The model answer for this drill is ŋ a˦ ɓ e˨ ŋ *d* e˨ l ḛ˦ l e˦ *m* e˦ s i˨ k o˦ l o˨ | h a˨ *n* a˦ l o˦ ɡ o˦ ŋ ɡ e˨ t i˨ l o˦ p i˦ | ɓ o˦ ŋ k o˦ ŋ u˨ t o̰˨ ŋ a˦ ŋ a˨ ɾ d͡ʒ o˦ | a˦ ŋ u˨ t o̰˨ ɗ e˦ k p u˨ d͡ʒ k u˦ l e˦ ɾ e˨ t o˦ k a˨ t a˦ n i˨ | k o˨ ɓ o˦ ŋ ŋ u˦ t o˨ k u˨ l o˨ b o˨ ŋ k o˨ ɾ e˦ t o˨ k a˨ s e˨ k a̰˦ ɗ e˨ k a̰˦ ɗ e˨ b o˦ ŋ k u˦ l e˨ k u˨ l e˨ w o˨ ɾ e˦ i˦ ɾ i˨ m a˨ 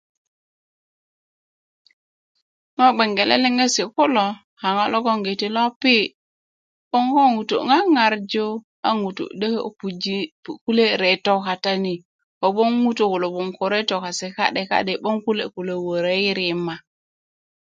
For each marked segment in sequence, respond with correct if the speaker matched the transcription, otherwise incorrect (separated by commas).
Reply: incorrect, incorrect, incorrect